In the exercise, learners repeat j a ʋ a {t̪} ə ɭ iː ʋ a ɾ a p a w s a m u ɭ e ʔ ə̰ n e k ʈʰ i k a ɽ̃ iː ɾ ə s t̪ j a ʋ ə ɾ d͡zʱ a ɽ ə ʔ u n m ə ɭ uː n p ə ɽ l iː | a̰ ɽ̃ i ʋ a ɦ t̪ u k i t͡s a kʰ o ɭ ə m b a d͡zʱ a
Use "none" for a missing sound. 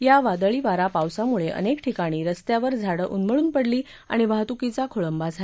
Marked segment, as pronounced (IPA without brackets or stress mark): d̪